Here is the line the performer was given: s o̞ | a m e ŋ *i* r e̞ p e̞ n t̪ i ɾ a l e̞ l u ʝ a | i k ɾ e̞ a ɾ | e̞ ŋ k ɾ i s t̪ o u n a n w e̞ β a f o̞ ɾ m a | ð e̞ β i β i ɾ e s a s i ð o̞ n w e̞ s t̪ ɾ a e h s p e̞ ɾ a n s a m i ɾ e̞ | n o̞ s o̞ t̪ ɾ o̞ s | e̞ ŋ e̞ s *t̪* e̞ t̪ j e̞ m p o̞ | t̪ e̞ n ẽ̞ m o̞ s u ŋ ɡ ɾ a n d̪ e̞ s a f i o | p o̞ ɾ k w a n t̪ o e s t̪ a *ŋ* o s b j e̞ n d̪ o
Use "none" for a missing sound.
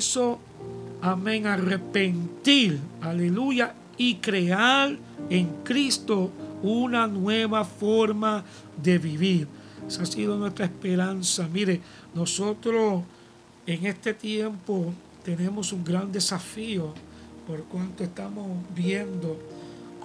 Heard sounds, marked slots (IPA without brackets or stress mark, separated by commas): a, t̪, m